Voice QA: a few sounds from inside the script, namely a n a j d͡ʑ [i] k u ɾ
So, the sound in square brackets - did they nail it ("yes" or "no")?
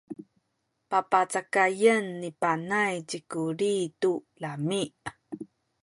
yes